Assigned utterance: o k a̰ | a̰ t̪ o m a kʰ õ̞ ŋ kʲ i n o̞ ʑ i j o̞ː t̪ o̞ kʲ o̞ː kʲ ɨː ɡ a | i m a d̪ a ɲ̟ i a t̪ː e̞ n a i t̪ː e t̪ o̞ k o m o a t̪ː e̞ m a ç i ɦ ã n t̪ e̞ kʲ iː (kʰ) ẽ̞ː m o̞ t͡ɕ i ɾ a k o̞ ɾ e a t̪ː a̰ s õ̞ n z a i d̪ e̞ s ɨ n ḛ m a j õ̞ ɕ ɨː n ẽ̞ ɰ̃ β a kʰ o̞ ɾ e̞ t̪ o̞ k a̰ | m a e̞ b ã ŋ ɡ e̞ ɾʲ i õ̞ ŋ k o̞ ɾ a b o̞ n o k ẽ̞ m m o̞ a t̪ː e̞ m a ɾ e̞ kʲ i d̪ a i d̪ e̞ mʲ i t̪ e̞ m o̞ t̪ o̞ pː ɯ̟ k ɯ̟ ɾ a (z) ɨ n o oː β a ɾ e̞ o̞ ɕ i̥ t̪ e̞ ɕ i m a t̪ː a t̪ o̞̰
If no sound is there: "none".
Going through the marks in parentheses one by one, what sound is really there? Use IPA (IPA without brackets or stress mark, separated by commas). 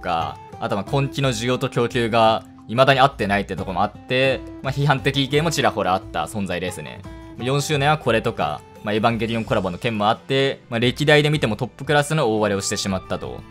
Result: k, s